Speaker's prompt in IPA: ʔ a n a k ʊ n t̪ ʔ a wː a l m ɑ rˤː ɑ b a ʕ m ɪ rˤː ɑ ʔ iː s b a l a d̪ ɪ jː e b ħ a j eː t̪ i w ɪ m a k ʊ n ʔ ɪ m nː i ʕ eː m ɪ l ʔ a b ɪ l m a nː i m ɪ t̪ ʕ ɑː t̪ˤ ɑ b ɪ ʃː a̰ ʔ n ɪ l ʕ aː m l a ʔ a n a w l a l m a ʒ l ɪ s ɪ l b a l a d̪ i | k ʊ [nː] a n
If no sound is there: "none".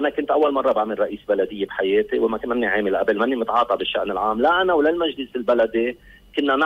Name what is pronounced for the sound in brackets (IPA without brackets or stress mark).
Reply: nː